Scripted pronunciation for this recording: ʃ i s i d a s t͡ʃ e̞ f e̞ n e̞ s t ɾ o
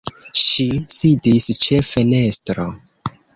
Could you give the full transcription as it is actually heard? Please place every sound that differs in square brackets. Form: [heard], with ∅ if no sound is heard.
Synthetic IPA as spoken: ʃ i s i d [i] s t͡ʃ e̞ f e̞ n e̞ s t ɾ o